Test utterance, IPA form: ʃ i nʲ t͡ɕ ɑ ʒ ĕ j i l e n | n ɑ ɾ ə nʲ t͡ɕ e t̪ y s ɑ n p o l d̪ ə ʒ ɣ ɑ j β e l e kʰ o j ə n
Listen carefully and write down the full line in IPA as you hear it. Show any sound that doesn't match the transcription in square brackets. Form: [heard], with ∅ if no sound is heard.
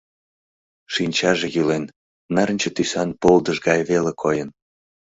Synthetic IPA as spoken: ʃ i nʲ t͡ɕ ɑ ʒ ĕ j [y] l e n | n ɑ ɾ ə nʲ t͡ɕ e t̪ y s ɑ n p o l d̪ ə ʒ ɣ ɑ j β e l e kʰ o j ə n